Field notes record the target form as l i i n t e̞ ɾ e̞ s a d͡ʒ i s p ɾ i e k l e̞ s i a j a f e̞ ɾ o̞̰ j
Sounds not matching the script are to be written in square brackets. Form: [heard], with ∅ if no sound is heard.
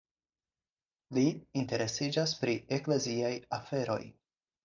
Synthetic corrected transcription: l i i n t e̞ ɾ e̞ s [i] d͡ʒ [a] s p ɾ i e k l e̞ [z] i a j a f e̞ ɾ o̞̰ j